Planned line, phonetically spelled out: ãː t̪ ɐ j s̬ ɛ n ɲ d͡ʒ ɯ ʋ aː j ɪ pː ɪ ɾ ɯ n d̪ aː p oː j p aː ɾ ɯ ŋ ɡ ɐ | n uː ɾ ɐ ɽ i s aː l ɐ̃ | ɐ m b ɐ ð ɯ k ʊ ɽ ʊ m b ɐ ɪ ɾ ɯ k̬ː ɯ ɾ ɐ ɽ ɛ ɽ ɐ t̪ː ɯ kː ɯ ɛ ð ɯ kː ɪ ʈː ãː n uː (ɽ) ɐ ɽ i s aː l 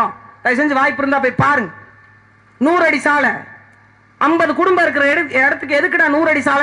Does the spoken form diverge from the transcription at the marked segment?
yes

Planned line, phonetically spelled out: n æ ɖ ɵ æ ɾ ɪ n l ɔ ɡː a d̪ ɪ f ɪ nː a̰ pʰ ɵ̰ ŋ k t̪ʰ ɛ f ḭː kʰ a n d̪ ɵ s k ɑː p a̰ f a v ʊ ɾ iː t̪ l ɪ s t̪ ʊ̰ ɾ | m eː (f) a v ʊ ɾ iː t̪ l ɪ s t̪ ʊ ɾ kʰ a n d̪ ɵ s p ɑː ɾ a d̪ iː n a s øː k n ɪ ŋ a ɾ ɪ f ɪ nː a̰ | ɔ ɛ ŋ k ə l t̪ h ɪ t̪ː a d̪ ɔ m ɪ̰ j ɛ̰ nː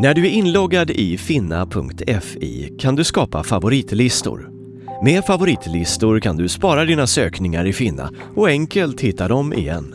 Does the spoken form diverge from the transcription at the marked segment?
no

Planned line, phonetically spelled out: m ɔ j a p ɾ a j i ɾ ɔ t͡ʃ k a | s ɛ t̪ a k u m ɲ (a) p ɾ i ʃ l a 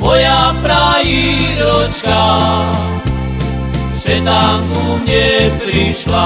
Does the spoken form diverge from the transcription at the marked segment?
yes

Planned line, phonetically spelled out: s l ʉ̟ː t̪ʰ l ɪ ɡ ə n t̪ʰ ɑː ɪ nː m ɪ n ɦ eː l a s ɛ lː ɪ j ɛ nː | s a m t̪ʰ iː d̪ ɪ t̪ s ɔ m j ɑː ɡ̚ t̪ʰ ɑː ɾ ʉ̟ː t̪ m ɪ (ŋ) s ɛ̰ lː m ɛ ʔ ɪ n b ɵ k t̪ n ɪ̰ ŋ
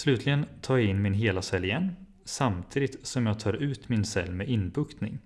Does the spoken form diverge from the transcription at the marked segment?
yes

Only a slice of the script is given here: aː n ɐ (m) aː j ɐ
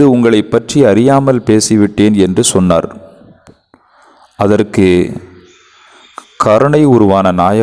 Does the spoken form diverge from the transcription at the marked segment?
yes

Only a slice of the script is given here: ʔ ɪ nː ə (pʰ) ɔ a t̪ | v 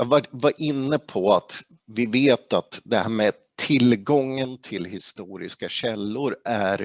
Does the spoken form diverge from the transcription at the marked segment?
no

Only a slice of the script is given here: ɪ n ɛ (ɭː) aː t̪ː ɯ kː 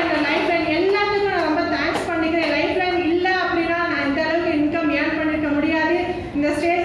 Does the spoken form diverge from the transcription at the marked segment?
yes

